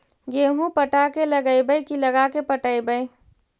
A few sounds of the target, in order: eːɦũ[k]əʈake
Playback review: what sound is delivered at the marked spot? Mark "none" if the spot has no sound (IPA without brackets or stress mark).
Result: p